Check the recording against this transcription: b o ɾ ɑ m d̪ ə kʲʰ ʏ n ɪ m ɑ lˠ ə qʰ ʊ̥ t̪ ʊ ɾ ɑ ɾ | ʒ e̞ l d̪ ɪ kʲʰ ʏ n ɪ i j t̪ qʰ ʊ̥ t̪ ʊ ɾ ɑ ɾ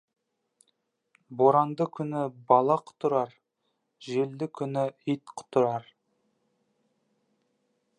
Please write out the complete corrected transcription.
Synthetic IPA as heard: b o ɾ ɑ n d̪ ə kʲʰ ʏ n ɪ b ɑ lˠ ɑ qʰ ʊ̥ t̪ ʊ ɾ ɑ ɾ | ʒ e̞ l d̪ ɪ kʲʰ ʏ n ɪ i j t̪ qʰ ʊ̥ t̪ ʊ ɾ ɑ ɾ